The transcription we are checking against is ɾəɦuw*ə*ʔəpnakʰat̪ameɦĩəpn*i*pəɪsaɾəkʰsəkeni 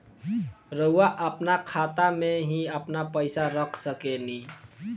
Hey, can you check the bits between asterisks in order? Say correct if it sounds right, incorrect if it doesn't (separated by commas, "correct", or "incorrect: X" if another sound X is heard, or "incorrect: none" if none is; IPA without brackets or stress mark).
incorrect: a, incorrect: a